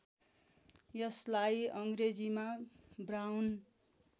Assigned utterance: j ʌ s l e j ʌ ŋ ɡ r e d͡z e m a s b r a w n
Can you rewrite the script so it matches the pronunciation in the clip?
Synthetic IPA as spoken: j ʌ s l a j ʌ ŋ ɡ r e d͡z i m a b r a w n